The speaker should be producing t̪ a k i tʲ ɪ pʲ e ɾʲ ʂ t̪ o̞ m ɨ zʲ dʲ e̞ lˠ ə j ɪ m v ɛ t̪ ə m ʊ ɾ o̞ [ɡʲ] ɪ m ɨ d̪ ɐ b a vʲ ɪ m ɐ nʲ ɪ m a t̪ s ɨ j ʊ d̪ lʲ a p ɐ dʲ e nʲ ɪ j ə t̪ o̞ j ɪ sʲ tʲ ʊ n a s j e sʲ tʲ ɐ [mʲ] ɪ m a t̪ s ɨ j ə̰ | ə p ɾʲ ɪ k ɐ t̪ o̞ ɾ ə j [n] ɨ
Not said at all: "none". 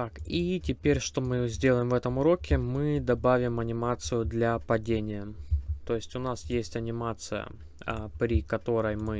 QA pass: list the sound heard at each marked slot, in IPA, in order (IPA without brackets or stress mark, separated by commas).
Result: kʲ, nʲ, m